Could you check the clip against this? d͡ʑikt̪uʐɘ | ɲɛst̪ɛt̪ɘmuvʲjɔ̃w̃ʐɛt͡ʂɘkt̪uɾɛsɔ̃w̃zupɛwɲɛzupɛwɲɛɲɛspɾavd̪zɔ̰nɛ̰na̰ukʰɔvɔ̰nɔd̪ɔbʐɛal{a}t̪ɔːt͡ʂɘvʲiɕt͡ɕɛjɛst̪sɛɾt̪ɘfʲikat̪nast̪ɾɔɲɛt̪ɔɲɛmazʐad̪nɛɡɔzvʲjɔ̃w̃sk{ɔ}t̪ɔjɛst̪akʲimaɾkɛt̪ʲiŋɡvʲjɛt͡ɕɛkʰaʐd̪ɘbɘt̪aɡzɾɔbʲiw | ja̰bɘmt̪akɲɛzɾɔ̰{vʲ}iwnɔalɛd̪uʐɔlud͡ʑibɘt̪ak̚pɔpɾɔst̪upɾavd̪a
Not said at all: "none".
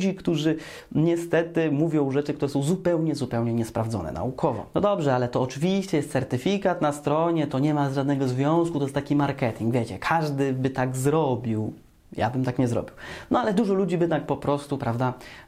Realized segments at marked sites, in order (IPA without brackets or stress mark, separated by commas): ɛ, u, bʲ